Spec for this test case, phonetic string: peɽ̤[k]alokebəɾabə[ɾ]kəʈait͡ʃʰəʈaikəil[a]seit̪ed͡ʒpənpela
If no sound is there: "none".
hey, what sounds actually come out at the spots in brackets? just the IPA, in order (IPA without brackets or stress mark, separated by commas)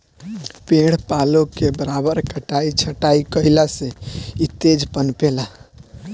p, ɾ, a